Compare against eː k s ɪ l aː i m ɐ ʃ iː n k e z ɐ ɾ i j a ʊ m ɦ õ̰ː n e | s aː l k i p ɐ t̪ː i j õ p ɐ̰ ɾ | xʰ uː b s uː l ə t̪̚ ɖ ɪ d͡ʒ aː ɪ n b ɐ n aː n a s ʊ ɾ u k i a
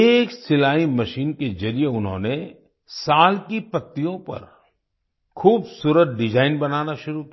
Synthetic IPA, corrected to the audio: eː k s ɪ l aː i m ɐ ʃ iː n k e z ɐ ɾ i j e ʊ n ɦ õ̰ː n e | s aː l k i p ɐ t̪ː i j õ p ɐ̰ ɾ | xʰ uː b s uː ɾ ə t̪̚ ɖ ɪ d͡ʒ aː ɪ n b ɐ n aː n a ʃ ʊ ɾ u k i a